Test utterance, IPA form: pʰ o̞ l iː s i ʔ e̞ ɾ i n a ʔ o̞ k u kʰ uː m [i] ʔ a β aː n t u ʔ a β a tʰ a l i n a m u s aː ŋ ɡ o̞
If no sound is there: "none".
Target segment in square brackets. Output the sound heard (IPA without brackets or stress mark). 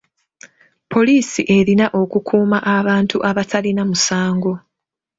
a